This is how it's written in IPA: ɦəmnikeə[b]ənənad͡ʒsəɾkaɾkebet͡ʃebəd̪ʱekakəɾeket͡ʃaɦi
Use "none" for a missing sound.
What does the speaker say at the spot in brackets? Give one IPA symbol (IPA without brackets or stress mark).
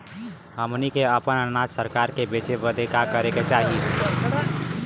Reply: p